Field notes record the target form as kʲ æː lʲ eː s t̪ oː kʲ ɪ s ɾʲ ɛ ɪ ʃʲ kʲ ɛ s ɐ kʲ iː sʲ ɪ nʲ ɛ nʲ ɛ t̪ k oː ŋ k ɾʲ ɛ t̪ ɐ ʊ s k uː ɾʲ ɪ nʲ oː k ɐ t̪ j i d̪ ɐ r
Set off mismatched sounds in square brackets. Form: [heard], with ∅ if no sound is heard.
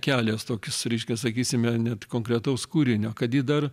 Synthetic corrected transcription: kʲ æː lʲ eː s t̪ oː kʲ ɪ s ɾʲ ɛ ɪ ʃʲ kʲ ɛ s ɐ kʲ iː sʲ ɪ [mʲ] ɛ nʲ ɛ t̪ k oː ŋ k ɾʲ ɛ t̪ ɐ ʊ s k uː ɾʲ ɪ nʲ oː k ɐ t̪ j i d̪ ɐ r